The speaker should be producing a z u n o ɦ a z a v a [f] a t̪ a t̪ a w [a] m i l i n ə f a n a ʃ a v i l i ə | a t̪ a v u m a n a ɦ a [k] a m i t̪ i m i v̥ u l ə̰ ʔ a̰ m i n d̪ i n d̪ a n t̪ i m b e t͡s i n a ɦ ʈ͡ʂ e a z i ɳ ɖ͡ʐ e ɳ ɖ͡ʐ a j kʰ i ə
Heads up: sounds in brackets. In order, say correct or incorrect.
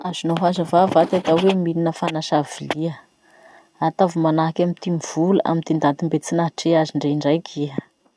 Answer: incorrect, incorrect, correct

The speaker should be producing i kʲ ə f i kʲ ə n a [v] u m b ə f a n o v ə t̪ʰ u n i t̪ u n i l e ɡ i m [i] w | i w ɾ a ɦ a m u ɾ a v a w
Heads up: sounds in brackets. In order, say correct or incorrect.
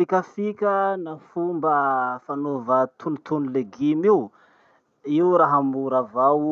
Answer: incorrect, correct

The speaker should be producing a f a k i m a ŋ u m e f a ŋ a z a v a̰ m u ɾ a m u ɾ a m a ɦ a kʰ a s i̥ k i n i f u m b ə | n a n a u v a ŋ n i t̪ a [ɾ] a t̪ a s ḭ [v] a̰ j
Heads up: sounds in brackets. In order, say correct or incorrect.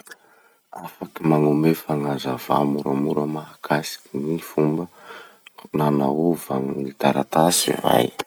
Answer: correct, correct

